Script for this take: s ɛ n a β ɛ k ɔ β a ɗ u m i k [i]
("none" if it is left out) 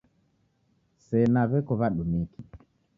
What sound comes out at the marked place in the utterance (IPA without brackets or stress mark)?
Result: i